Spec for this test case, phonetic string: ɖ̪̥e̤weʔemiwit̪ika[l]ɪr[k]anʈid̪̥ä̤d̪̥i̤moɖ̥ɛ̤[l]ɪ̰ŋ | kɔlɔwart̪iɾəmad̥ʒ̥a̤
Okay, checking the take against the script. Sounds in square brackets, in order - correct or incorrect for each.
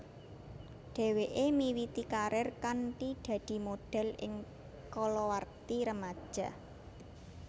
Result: incorrect: ɾ, correct, correct

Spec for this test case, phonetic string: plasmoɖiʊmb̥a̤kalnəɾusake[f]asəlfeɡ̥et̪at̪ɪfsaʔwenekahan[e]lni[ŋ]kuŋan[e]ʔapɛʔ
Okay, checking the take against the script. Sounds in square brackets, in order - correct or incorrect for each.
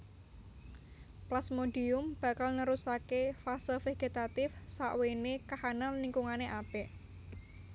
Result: correct, incorrect: a, correct, correct

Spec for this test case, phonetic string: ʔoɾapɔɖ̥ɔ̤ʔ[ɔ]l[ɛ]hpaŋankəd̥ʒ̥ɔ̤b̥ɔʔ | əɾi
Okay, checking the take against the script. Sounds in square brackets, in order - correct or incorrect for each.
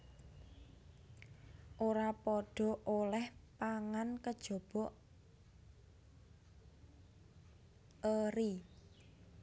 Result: incorrect: o, correct

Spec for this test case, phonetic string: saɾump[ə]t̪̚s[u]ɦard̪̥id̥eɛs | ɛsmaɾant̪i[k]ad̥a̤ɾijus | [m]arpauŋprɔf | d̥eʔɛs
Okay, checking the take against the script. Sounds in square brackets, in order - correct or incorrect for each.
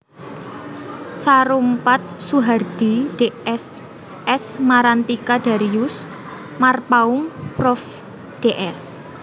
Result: incorrect: a, correct, correct, correct

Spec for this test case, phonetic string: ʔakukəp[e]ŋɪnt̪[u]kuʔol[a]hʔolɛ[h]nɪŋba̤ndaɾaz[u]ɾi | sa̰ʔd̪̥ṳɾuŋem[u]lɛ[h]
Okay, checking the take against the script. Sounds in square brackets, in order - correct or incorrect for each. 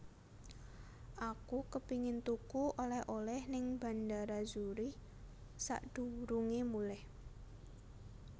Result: incorrect: i, correct, incorrect: ɛ, correct, correct, correct, correct

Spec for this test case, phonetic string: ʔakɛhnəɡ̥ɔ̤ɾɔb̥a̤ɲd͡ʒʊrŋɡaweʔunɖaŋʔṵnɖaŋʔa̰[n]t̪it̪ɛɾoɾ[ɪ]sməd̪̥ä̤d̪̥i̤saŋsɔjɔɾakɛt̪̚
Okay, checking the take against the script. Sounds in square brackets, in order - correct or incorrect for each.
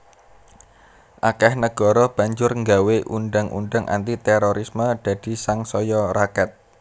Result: correct, incorrect: i

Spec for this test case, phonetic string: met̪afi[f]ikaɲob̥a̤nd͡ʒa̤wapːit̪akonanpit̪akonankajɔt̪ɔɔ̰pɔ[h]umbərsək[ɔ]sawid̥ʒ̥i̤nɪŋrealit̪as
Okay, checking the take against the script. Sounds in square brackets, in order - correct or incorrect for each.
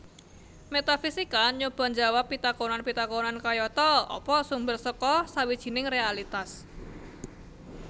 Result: incorrect: s, incorrect: s, correct

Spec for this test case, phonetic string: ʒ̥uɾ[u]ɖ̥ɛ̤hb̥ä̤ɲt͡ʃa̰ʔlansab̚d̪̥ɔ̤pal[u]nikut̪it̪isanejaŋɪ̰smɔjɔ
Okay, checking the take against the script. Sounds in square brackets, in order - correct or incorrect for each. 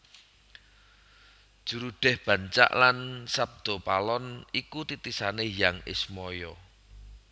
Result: correct, incorrect: ɔ

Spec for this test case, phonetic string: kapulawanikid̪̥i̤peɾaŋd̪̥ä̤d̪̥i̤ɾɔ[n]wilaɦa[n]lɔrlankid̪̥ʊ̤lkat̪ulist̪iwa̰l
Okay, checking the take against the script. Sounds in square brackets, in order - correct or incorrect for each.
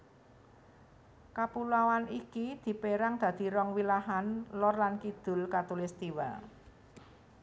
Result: incorrect: ŋ, correct

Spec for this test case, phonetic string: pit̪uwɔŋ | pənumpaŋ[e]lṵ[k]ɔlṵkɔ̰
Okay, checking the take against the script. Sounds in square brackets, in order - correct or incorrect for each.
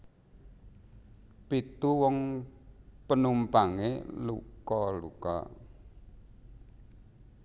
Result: correct, correct

